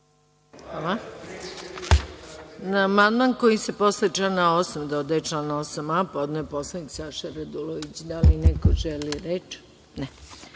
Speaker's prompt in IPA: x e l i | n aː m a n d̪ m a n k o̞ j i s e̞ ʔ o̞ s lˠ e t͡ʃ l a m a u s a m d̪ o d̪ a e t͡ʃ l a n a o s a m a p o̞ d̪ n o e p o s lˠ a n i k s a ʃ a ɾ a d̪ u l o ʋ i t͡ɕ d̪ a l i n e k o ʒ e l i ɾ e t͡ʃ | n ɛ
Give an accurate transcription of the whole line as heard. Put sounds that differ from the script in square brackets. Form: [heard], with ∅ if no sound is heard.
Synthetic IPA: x [a] l [a] | n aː m a n d̪ m a n k o̞ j i s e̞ [p] o̞ s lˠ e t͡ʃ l a [n] a [o] s a m d̪ o d̪ a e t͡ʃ l a n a o s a m a p o̞ d̪ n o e p o s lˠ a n i k s a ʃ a ɾ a d̪ u l o ʋ i t͡ɕ d̪ a l i n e k o ʒ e l i ɾ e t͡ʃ | n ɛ